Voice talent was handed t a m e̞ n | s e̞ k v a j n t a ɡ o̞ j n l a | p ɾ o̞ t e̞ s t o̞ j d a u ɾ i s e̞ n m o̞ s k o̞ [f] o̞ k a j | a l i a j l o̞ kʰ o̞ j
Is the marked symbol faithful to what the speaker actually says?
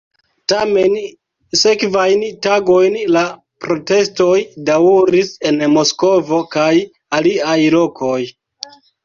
no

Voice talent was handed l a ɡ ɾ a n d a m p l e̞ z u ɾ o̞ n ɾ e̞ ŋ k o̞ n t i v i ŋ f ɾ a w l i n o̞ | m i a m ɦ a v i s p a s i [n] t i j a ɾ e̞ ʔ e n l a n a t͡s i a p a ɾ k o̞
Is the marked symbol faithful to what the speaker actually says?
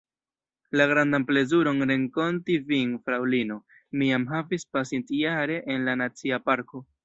yes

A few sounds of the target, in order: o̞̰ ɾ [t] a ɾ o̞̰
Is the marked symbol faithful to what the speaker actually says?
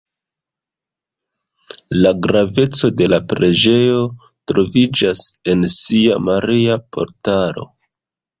yes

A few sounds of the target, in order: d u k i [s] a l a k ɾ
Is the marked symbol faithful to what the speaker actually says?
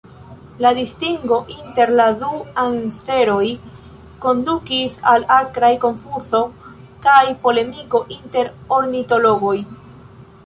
yes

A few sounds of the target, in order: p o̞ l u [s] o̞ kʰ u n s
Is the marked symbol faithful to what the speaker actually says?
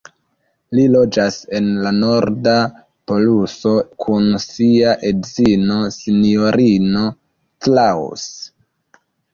yes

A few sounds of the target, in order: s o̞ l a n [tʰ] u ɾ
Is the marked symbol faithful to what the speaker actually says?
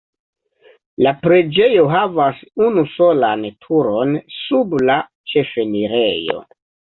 yes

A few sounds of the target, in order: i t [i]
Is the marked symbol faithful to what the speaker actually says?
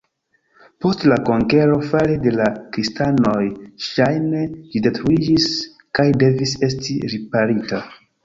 no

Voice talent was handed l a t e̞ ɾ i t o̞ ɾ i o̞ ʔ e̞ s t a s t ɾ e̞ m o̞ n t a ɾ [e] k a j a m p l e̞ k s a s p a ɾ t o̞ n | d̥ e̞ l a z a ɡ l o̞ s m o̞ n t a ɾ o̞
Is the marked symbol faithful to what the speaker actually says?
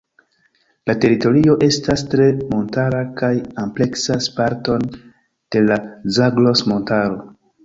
no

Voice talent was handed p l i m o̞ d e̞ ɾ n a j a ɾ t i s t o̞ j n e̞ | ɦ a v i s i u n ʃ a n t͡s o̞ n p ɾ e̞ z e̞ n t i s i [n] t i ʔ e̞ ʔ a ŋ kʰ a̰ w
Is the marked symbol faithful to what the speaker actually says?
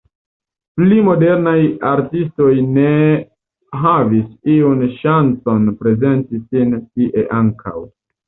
yes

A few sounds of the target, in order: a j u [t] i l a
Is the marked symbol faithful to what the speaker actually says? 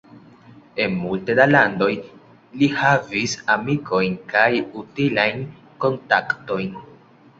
yes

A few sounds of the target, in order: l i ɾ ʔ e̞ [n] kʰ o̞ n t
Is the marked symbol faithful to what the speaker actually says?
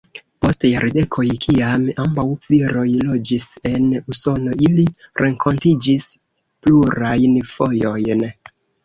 no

